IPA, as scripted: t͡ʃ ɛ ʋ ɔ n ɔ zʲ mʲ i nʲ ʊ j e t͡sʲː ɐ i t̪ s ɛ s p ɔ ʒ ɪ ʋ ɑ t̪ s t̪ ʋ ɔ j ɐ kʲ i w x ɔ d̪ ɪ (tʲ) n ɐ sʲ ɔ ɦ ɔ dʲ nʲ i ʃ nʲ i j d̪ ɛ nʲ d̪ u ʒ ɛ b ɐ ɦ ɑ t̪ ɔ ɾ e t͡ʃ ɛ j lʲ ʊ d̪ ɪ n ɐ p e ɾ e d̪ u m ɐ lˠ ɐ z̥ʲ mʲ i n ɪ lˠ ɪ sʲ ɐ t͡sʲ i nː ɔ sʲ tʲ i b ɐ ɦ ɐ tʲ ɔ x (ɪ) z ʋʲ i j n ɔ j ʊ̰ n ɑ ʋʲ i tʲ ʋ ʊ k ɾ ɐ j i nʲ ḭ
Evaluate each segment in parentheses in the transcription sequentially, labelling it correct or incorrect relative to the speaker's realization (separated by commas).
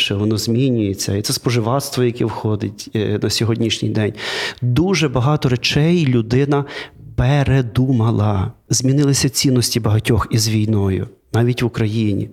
correct, incorrect